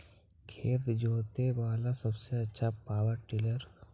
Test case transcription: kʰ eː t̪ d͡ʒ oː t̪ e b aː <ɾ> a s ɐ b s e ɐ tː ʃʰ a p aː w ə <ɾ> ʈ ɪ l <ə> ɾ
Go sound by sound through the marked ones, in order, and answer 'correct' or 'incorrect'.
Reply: incorrect, correct, correct

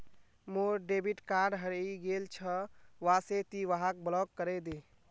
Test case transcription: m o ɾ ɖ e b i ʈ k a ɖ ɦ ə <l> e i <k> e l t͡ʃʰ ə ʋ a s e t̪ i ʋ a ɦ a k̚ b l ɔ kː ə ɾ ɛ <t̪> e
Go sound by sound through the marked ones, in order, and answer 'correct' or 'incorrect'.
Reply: incorrect, incorrect, incorrect

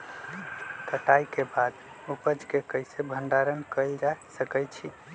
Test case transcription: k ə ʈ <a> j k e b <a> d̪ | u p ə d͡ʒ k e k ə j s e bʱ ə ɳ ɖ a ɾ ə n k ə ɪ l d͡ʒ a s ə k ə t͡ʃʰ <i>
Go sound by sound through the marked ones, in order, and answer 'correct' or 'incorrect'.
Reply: correct, correct, correct

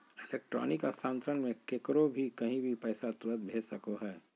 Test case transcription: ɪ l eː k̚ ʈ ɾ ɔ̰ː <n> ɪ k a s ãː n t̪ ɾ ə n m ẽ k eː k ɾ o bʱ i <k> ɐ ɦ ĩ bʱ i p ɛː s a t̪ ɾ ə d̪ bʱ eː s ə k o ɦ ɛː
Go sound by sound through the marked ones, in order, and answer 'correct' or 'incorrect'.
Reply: correct, correct

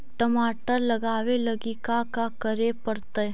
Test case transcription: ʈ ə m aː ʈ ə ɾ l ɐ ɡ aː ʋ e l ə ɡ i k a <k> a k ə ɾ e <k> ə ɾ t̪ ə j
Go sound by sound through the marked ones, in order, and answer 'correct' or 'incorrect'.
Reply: correct, incorrect

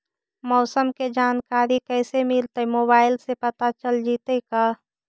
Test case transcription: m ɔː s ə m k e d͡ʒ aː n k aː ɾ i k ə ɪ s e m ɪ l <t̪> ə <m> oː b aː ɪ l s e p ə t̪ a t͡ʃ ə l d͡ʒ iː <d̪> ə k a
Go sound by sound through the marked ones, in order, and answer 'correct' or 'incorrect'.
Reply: correct, correct, incorrect

